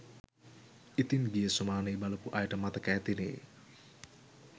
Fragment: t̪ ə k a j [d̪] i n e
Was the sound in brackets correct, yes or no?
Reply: no